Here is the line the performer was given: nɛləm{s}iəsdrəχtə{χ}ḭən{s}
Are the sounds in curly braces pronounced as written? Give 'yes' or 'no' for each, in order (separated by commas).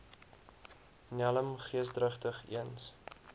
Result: no, yes, yes